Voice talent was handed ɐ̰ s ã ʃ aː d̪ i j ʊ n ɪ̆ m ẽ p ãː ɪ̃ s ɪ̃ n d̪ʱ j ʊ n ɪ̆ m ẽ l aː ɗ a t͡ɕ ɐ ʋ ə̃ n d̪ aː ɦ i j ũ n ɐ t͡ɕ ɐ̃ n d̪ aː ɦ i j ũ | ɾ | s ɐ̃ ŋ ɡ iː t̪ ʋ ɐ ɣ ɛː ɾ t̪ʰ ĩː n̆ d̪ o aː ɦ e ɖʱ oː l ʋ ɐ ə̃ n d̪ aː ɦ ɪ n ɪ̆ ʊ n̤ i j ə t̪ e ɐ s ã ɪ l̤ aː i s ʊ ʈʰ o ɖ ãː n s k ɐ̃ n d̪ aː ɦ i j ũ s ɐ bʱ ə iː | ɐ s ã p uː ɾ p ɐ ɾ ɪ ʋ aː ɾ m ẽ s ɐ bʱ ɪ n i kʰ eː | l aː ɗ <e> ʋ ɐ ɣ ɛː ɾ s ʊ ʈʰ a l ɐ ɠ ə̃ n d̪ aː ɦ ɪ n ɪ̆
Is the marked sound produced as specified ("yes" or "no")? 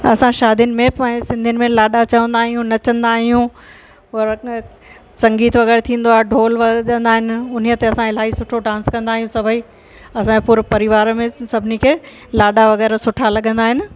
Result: no